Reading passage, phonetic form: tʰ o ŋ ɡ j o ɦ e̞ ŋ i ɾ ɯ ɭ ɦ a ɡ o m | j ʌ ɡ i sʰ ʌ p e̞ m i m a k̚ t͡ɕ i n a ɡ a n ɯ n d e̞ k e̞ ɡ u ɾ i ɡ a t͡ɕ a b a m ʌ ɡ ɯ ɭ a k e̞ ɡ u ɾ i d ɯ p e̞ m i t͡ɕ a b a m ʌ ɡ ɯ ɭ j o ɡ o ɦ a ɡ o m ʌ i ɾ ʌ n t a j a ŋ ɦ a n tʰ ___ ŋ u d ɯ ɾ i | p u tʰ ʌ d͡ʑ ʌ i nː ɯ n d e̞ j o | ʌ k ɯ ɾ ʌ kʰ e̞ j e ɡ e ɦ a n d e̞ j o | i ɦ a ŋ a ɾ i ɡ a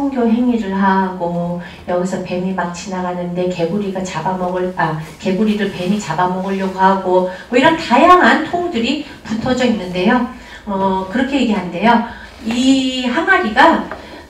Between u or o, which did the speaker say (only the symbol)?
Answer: o